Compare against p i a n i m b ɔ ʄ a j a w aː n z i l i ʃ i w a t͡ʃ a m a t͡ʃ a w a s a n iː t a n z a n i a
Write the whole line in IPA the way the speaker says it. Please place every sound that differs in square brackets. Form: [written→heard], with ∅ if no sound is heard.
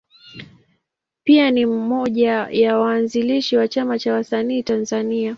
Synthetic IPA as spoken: p i a n i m [b→m] ɔ ʄ a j a w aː n z i l i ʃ i w a t͡ʃ a m a t͡ʃ a w a s a n iː t a n z a n i a